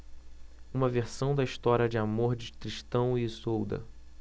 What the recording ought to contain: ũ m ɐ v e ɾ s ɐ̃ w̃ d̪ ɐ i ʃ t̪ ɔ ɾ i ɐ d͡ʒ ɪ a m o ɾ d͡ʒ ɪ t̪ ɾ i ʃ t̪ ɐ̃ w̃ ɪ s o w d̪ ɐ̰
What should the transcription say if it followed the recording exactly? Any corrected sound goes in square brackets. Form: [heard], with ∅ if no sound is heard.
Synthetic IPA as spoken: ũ m ɐ v e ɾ s ɐ̃ w̃ d̪ ɐ i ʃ t̪ ɔ ɾ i ɐ d͡ʒ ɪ a m o ɾ d͡ʒ ɪ t̪ ɾ i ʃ t̪ ɐ̃ w̃ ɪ s o w d̪ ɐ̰